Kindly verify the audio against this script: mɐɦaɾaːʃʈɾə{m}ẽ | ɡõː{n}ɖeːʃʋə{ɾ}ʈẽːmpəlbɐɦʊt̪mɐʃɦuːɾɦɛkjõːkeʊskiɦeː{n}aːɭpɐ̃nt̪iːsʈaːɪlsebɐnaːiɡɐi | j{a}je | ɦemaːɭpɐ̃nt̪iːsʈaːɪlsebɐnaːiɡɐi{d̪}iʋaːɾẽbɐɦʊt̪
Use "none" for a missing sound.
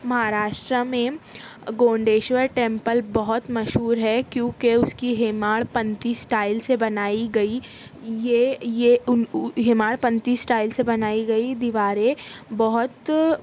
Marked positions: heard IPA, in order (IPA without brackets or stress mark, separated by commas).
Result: m, ɳ, ɾ, m, e, d̪